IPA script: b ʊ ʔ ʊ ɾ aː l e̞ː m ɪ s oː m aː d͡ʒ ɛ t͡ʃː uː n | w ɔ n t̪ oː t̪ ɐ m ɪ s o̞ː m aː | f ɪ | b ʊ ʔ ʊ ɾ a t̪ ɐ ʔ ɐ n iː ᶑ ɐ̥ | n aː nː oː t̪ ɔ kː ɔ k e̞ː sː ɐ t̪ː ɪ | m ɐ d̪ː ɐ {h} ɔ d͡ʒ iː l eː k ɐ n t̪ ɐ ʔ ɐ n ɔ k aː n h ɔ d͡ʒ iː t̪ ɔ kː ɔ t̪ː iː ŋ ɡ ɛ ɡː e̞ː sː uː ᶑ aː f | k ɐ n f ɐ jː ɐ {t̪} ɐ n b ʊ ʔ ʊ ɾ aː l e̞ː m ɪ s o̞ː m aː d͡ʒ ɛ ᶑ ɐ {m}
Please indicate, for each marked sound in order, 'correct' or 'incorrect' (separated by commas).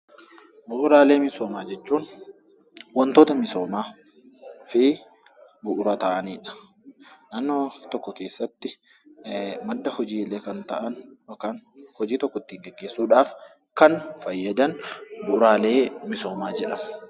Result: correct, incorrect, correct